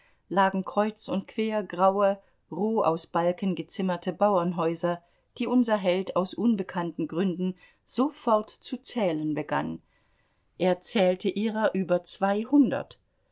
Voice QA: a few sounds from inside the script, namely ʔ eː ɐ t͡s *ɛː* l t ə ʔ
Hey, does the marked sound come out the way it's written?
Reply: yes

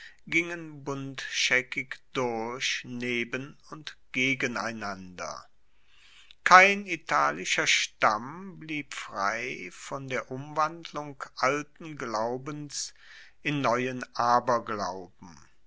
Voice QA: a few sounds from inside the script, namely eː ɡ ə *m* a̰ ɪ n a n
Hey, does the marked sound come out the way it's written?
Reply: no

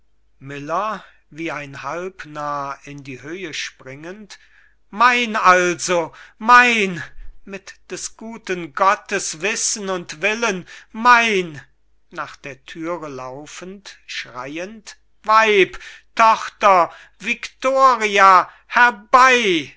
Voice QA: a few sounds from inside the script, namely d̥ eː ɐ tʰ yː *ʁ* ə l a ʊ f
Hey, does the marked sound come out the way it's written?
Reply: yes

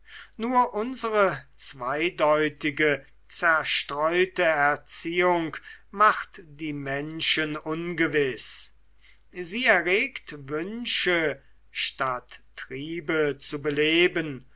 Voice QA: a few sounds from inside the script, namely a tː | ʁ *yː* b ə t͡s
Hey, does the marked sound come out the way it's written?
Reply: no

